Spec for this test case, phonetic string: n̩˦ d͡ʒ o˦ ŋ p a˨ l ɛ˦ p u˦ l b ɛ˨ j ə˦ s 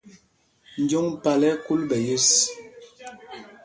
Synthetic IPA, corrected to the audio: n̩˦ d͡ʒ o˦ ŋ p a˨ l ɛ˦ k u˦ l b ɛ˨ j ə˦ s